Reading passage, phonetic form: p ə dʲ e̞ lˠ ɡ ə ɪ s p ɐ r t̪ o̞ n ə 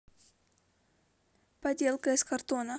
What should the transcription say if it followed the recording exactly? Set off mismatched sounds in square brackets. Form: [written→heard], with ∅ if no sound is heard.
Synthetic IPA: p [ə→ɐ] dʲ e̞ lˠ [ɡ→k] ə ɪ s [p→k] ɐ r t̪ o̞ n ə